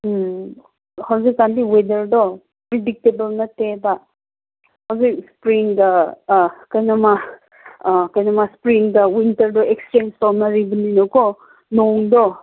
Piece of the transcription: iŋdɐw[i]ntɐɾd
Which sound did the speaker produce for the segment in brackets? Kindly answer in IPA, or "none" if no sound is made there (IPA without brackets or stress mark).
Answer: i